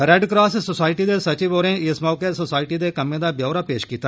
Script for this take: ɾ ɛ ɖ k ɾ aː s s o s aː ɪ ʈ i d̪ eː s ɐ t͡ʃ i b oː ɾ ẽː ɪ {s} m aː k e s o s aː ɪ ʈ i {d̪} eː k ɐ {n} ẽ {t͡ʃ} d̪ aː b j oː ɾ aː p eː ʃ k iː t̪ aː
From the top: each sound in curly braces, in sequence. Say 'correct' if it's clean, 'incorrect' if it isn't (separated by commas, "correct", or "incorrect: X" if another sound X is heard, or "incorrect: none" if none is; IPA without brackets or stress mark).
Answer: correct, correct, incorrect: m, incorrect: none